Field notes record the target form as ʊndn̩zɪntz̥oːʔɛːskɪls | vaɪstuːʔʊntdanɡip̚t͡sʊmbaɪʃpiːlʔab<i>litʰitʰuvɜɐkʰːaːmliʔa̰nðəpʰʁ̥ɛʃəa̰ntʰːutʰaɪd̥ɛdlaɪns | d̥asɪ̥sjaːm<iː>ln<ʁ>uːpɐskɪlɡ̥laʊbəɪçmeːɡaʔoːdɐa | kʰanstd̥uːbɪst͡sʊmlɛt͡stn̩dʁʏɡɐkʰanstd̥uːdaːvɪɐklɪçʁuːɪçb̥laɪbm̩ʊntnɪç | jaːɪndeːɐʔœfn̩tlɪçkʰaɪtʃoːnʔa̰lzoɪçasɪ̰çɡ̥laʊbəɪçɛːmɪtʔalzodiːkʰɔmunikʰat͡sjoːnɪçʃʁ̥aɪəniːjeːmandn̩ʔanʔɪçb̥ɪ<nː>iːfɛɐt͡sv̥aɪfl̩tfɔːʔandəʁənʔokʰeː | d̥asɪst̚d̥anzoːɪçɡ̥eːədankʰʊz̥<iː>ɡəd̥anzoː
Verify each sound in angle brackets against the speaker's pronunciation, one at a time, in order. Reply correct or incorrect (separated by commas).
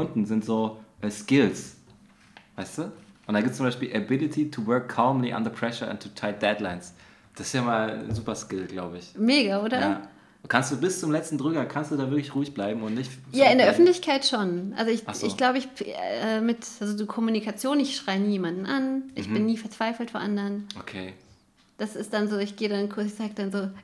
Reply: incorrect, incorrect, incorrect, correct, incorrect